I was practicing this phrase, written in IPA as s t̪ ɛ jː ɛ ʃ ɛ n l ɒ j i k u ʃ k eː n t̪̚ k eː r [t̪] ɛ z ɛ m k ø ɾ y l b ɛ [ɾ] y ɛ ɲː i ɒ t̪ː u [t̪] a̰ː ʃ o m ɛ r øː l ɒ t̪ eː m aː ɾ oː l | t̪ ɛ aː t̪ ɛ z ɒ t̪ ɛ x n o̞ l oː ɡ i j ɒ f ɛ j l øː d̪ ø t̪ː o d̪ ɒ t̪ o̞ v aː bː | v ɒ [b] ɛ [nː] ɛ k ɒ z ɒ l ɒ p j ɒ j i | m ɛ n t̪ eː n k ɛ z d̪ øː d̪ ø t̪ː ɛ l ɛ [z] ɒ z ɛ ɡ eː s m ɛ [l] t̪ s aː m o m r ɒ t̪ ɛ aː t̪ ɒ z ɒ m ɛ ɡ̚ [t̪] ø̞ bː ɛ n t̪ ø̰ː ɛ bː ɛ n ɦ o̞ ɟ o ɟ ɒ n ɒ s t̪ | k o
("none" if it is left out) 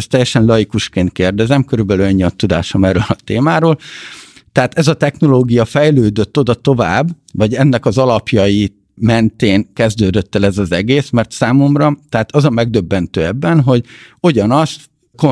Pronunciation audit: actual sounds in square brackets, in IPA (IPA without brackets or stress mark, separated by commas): d̪, l, d̪, ɟ, nː, z, r, d̪